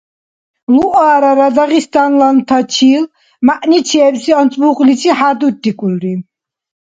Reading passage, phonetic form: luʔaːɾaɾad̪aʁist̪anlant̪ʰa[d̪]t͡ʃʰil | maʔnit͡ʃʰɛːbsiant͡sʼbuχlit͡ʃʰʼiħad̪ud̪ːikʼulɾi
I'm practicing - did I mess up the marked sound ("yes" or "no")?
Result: yes